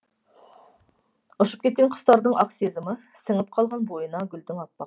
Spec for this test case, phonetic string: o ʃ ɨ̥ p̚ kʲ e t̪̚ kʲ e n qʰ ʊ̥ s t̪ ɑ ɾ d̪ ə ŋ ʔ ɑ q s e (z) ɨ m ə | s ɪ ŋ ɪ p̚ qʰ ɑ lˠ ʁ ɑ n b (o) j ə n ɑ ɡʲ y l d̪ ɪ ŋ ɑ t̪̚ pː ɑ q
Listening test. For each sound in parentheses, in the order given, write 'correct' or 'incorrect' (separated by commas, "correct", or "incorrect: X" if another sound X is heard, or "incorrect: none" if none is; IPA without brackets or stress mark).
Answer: correct, correct